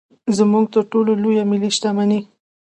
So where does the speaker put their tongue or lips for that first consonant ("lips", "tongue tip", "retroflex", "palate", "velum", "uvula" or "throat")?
tongue tip